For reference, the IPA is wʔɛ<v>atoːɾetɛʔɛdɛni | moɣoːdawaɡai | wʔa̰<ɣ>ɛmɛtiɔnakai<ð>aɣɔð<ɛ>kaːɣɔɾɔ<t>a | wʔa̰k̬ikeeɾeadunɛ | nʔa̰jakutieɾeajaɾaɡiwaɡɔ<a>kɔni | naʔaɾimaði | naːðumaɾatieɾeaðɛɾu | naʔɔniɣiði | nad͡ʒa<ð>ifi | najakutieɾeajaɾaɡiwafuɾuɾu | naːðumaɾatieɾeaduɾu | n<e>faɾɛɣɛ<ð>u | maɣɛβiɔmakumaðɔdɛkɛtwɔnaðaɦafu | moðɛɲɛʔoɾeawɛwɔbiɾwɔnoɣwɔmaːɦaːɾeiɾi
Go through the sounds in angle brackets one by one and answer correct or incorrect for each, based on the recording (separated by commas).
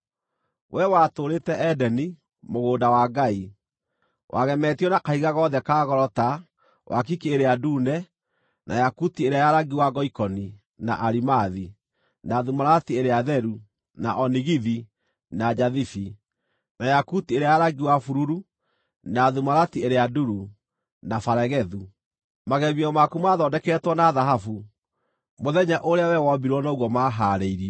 incorrect, correct, incorrect, correct, correct, incorrect, correct, incorrect, correct